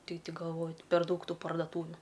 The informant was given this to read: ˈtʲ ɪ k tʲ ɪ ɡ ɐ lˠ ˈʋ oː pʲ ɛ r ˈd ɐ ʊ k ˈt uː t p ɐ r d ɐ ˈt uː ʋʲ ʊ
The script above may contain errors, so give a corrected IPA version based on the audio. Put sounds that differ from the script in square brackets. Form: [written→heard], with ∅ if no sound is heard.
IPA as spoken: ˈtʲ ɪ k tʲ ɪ ɡ ɐ lˠ ˈʋ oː pʲ ɛ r ˈd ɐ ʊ k ˈt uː [t→∅] p ɐ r d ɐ ˈt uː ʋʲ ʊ